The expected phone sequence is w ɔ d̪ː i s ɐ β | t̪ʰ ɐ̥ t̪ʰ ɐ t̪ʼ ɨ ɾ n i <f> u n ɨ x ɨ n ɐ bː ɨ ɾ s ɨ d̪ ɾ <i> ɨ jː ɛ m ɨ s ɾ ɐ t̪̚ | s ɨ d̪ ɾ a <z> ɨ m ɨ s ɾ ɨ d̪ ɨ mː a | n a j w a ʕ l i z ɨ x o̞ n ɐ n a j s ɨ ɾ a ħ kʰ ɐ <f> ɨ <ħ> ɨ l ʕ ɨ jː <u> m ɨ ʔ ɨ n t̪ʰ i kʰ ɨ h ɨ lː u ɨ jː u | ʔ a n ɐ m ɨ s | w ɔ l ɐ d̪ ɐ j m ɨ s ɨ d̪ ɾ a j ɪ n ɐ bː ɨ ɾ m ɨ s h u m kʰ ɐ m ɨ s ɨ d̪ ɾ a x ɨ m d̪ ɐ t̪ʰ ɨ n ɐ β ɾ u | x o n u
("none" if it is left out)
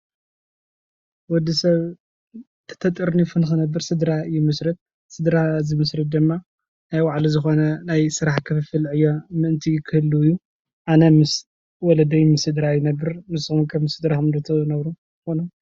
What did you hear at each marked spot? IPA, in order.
f, a, z, f, f, o

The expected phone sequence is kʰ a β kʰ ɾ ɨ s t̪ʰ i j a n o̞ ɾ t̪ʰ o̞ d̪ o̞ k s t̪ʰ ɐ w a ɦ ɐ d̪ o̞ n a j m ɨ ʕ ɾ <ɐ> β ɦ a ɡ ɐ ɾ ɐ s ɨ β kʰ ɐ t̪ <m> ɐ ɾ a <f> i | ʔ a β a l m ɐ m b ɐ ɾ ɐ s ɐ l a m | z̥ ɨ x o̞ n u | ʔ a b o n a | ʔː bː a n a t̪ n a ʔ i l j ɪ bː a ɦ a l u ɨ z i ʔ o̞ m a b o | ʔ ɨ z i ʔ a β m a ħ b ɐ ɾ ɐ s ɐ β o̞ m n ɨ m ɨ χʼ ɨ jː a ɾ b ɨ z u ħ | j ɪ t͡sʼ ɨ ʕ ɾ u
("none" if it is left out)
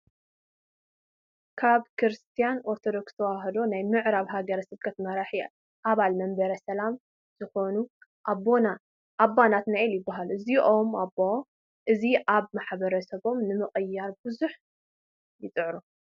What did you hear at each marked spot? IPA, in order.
a, m, ħ

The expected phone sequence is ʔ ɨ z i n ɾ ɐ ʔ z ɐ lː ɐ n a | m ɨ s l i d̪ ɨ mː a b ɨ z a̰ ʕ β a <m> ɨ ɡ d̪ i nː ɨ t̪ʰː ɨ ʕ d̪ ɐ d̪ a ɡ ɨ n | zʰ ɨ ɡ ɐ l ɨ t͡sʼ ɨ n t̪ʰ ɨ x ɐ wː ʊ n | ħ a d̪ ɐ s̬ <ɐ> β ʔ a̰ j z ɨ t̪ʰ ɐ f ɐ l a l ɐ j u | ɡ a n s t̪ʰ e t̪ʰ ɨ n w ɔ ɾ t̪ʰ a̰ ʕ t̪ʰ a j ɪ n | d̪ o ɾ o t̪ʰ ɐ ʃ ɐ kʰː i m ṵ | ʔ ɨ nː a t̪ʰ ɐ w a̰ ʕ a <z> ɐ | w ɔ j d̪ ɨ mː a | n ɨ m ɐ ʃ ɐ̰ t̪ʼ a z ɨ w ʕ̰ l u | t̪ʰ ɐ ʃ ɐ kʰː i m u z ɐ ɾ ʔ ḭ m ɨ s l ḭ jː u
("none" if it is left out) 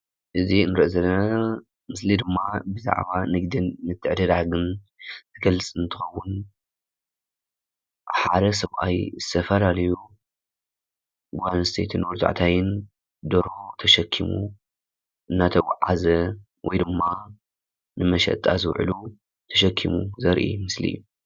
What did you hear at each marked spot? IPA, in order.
n, ɐ, z

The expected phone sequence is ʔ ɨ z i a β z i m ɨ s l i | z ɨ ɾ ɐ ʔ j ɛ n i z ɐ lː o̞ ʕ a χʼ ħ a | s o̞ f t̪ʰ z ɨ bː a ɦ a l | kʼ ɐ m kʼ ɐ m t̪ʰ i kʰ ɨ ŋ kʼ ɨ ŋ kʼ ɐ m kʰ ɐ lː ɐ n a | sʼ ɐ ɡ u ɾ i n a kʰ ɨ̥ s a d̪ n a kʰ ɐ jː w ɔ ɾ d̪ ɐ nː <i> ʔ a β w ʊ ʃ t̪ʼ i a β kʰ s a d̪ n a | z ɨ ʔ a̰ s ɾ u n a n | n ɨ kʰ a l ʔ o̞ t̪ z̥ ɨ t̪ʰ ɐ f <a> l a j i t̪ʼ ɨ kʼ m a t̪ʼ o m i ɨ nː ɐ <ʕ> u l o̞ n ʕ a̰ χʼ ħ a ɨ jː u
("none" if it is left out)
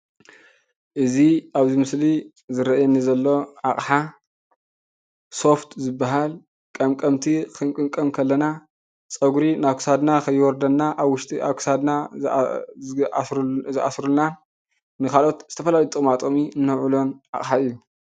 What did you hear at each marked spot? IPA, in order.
a, ɐ, ʕ

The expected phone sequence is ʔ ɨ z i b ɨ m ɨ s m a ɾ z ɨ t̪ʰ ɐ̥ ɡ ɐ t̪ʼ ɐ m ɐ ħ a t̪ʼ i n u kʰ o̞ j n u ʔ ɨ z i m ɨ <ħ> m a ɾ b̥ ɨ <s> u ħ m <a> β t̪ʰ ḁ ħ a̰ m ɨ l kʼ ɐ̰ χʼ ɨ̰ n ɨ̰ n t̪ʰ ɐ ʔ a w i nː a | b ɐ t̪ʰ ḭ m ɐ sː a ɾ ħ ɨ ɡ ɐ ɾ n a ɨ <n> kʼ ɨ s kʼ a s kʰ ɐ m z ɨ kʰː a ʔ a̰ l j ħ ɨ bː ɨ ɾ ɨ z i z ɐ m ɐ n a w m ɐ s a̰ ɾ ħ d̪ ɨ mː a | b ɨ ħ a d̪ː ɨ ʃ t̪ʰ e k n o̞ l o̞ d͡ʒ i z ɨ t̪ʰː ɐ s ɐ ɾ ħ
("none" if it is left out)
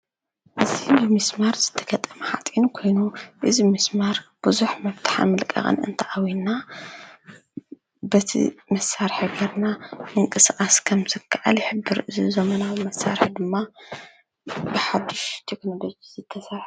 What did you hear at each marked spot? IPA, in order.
s, z, ɐ, ŋ

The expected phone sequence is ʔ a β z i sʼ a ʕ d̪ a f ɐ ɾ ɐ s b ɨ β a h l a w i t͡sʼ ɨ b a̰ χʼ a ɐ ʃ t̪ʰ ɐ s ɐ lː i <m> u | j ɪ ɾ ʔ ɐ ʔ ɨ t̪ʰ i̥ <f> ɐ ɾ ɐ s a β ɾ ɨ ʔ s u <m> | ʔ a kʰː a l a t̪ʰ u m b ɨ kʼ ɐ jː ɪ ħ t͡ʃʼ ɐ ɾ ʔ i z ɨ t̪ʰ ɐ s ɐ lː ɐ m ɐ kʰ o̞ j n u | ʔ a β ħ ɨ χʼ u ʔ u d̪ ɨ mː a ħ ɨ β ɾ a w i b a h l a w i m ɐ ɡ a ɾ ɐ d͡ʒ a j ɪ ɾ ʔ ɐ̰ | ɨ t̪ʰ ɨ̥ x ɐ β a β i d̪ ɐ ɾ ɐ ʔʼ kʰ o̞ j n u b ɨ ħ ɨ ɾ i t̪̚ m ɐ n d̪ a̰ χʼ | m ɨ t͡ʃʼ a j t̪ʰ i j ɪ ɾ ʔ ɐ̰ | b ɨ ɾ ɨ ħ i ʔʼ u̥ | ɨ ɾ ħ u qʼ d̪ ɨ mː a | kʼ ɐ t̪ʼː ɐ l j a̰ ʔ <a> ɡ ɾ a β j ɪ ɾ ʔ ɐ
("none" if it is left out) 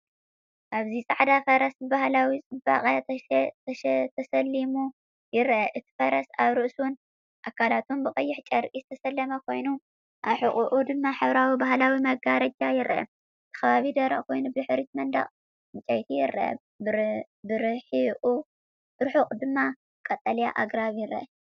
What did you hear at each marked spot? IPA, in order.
m, f, n, a

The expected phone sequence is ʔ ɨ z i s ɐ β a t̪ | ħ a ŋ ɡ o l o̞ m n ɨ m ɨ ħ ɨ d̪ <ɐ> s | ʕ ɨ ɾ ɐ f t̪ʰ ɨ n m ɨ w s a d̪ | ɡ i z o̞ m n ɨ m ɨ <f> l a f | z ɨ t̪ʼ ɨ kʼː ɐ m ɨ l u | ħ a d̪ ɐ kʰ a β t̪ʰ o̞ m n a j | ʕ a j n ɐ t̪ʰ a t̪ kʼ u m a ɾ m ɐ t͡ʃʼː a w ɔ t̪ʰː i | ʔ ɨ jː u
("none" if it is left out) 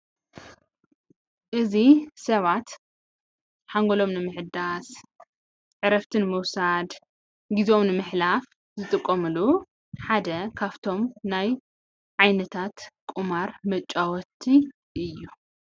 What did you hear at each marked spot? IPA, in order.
a, ħ

